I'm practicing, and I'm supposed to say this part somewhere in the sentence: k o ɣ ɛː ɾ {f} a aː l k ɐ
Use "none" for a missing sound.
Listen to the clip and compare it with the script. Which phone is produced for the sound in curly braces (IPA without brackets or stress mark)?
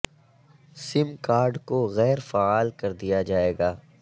f